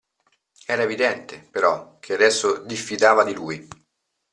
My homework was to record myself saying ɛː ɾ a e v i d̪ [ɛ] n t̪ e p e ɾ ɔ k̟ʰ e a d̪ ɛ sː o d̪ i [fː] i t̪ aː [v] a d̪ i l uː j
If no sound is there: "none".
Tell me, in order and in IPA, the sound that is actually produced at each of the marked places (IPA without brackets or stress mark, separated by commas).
ɛ, fː, v